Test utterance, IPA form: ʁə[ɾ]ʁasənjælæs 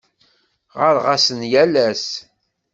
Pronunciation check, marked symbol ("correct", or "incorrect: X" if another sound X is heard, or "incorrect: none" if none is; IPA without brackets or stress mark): correct